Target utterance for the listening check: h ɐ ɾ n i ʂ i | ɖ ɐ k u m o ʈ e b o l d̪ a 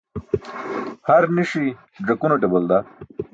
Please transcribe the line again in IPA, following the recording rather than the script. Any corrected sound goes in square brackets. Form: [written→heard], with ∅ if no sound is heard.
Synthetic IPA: h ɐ ɾ n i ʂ i | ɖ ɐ k u [m→n] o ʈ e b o l d̪ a